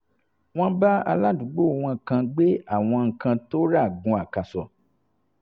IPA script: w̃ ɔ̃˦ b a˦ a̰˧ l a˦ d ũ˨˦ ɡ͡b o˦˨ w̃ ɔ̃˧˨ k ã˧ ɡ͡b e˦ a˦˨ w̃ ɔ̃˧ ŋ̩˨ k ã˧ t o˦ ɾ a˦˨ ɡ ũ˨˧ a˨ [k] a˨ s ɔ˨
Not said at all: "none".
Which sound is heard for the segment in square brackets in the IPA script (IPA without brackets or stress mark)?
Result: k